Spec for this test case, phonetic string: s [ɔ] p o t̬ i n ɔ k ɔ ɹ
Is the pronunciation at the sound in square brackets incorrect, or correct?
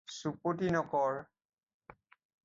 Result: incorrect